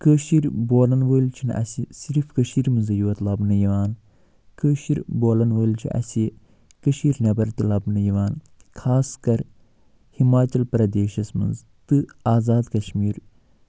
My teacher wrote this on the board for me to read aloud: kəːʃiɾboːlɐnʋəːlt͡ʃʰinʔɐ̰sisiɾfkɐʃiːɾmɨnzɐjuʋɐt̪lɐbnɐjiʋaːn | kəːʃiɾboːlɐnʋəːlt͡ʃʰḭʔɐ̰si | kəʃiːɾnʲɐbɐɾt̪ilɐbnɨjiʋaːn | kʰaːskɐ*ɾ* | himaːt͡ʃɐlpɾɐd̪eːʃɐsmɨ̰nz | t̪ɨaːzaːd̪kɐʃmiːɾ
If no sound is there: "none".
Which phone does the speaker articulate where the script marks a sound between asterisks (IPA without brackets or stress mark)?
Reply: ɾ